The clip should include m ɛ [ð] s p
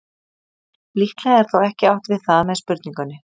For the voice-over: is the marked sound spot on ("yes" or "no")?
yes